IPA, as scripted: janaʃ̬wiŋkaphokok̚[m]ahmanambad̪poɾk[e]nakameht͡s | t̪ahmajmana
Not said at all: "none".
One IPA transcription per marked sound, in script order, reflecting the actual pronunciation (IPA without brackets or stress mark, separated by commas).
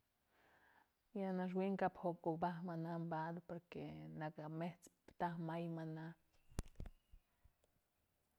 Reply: b, e